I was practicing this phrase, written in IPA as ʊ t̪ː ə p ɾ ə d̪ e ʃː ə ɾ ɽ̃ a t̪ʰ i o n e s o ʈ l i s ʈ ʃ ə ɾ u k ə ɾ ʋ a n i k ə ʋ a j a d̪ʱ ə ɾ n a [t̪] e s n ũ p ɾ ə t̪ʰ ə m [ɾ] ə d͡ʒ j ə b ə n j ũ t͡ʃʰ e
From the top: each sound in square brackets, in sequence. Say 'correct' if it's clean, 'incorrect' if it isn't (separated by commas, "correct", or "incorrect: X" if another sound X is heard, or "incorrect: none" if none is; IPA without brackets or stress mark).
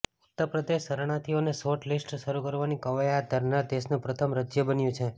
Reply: incorrect: d̪, correct